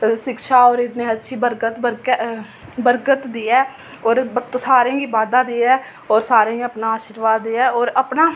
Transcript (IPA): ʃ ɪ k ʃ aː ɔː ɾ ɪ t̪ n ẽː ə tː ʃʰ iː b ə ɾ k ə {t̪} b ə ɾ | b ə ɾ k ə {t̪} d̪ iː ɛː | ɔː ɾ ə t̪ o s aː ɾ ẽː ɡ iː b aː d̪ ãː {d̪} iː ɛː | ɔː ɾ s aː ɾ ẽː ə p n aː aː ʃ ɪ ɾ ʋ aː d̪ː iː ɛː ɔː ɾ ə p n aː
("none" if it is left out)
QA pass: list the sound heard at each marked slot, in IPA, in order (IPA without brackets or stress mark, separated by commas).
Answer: t̪, t̪, d̪